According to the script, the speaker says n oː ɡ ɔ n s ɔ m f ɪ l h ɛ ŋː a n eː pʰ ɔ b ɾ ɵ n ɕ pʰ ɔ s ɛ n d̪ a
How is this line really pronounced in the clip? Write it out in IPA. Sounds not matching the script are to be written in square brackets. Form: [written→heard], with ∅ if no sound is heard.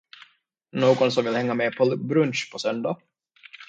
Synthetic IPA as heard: n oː ɡ ɔ n s ɔ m [f→v] ɪ l h ɛ ŋː a [n→m] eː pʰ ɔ b ɾ ɵ n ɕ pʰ ɔ s [ɛ→œ] n d̪ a